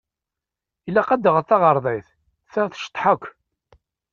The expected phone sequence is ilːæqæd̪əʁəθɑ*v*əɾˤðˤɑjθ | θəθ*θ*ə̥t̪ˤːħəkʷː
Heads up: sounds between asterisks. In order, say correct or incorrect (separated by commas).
incorrect, incorrect